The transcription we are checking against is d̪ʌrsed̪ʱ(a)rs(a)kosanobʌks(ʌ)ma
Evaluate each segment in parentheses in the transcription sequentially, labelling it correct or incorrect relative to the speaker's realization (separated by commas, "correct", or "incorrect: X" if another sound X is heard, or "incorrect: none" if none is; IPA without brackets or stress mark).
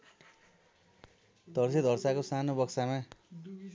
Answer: incorrect: ʌ, correct, incorrect: a